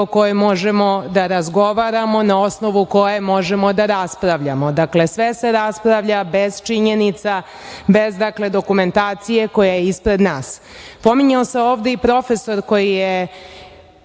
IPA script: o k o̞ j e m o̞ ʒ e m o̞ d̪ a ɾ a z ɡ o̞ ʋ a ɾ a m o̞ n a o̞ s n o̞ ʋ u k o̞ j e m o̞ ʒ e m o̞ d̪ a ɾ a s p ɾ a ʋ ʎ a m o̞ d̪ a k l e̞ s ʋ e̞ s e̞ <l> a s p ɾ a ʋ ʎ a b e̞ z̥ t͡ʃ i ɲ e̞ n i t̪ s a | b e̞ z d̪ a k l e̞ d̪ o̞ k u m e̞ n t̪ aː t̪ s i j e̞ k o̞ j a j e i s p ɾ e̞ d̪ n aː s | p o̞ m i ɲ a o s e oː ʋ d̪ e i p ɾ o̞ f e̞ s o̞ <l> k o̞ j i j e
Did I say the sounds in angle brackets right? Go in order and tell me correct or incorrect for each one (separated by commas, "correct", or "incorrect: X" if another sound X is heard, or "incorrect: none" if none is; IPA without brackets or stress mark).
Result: incorrect: ɾ, incorrect: ɾ